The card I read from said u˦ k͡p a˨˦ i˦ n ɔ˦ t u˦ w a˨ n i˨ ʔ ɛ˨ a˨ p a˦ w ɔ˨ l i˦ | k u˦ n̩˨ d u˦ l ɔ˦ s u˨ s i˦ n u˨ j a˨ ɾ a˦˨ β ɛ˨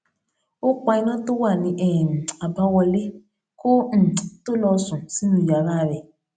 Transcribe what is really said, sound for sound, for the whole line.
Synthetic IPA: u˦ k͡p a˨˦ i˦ n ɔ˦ t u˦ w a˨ n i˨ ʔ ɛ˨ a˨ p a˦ w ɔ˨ l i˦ | k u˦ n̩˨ t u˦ l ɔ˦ s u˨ s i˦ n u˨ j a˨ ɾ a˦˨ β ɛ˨